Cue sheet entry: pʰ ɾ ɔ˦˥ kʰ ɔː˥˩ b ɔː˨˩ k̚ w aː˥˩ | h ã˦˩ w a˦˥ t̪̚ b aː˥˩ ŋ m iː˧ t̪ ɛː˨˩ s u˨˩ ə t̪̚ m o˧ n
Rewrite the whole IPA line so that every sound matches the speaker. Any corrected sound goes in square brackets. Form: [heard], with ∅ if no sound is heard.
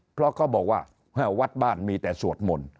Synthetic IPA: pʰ ɾ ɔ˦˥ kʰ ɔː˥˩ b ɔː˨˩ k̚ w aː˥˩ | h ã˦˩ w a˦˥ t̪̚ b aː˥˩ [n] m iː˧ t̪ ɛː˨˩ s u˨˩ ə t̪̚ m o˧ n